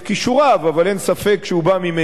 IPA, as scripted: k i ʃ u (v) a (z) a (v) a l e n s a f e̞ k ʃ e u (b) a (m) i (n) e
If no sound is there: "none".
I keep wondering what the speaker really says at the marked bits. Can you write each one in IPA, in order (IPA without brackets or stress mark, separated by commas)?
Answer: ʁ, v, v, b, m, m